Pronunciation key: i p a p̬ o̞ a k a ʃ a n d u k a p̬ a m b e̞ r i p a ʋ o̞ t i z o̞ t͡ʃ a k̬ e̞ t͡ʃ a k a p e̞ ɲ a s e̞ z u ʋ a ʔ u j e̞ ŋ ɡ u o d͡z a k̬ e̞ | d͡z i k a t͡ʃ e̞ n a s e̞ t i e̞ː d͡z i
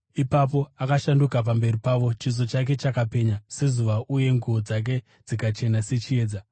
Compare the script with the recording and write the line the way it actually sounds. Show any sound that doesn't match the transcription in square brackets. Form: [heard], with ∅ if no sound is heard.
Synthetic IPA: i p a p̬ o̞ a k a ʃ a n d u k a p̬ a m b e̞ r i p a ʋ o̞ [t͡ʃ] i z o̞ t͡ʃ a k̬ e̞ t͡ʃ a k a p e̞ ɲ a s e̞ z u ʋ a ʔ u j e̞ ŋ ɡ u o d͡z a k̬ e̞ | d͡z i k a t͡ʃ e̞ n a s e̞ [t͡ʃ] i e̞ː d͡z [a]